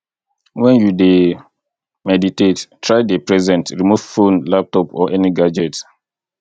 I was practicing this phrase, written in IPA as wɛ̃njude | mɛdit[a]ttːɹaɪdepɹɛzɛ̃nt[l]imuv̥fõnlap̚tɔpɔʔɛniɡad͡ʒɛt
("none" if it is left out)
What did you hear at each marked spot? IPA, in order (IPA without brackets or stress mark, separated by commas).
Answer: e, ɹ